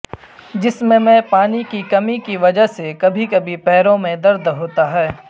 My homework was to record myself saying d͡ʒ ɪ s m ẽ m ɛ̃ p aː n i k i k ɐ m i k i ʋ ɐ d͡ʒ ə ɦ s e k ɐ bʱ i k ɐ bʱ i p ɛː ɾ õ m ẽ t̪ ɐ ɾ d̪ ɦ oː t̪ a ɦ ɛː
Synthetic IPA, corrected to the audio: d͡ʒ ɪ s m ẽ m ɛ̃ p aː n i k i k ɐ m i k i ʋ ɐ d͡ʒ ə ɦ s e k ɐ bʱ i k ɐ bʱ i p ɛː ɾ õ m ẽ d̪ ɐ ɾ d̪ ɦ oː t̪ a ɦ ɛː